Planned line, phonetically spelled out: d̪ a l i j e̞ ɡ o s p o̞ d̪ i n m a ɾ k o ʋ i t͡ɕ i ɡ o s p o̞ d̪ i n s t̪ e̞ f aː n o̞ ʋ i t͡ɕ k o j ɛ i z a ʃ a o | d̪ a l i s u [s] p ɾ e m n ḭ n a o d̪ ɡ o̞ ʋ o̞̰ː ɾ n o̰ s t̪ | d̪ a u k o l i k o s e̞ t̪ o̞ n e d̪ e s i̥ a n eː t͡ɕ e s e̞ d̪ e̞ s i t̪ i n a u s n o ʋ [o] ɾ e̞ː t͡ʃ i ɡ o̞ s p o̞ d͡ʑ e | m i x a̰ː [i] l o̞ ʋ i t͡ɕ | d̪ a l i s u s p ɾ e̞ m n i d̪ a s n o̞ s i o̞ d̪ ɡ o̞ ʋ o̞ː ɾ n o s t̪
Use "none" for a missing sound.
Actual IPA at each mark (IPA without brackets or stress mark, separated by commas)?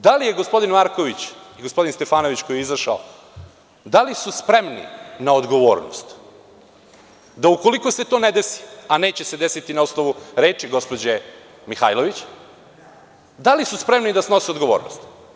s, u, j